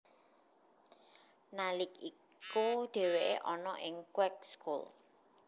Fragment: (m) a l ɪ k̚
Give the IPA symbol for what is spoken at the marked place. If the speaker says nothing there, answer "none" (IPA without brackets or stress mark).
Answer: n